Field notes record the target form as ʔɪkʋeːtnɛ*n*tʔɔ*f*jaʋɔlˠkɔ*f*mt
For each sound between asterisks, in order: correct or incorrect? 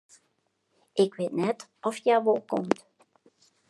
incorrect, correct, incorrect

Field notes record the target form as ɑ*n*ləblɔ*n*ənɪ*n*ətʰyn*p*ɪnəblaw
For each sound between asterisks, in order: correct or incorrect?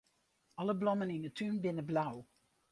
incorrect, incorrect, correct, incorrect

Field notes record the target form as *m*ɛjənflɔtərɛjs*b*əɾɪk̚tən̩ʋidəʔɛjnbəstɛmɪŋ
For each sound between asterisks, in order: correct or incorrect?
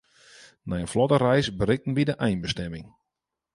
incorrect, correct

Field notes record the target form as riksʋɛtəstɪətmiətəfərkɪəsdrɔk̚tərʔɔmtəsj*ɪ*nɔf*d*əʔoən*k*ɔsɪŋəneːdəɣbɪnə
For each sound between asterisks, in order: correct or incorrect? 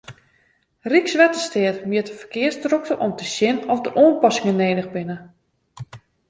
correct, correct, incorrect

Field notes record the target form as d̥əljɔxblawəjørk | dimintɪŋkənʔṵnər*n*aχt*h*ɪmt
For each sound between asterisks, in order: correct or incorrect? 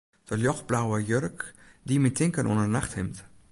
correct, correct

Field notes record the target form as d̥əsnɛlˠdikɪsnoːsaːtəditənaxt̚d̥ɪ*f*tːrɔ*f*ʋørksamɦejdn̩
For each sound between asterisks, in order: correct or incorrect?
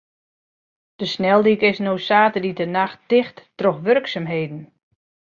incorrect, incorrect

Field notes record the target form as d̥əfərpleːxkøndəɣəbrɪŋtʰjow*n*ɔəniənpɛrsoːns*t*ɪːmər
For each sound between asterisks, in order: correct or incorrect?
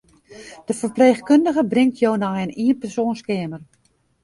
correct, incorrect

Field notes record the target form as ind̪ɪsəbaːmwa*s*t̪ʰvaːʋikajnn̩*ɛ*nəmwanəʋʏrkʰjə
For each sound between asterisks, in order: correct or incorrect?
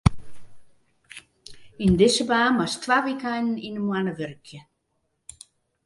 correct, incorrect

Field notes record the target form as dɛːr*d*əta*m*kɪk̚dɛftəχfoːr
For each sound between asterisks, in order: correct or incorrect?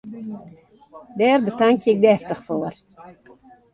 incorrect, incorrect

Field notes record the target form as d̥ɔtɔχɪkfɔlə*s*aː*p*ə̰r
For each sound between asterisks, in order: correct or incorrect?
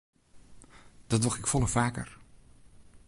incorrect, incorrect

